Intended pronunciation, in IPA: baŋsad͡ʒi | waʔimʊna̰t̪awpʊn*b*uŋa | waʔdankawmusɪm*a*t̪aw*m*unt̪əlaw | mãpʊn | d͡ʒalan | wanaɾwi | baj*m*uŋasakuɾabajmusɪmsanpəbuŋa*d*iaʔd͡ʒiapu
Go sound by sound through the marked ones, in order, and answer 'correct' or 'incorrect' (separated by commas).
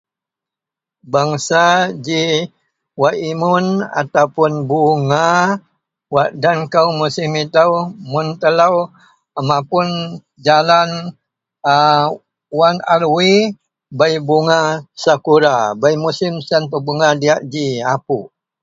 correct, incorrect, correct, incorrect, correct